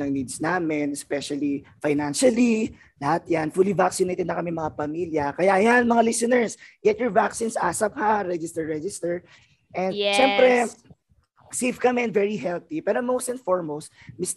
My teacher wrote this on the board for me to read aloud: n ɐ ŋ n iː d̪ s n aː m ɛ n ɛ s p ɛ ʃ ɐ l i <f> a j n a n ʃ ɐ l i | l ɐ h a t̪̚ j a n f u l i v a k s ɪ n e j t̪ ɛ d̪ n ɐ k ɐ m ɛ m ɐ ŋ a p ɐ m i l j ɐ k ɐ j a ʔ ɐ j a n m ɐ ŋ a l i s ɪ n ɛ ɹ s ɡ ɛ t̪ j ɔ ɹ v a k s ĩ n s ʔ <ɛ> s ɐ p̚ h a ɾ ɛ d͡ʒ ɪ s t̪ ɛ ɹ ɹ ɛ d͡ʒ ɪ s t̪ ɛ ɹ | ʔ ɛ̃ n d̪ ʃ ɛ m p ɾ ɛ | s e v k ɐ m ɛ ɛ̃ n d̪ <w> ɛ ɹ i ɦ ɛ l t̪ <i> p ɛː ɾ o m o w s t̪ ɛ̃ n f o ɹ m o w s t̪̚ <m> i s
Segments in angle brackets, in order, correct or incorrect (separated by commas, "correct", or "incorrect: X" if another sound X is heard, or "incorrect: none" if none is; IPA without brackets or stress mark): correct, incorrect: a, incorrect: v, correct, correct